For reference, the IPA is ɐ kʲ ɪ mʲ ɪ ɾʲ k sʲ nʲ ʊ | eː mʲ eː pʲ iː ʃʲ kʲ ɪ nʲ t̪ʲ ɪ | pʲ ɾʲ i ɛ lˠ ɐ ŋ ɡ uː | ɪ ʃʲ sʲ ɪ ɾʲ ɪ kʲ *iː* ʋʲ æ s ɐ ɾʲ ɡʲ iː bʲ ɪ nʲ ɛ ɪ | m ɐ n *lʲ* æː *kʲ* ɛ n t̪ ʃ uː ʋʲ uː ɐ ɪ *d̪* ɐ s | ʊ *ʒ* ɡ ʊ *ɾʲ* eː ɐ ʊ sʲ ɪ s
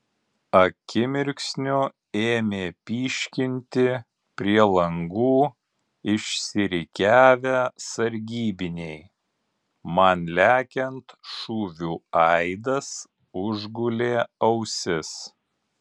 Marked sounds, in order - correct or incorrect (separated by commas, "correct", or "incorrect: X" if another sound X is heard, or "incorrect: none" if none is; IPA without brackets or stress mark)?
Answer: incorrect: æː, correct, correct, correct, correct, incorrect: lʲ